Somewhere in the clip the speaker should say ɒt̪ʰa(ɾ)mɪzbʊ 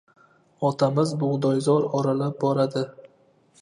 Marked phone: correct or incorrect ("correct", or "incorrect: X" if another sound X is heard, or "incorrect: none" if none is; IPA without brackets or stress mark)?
incorrect: none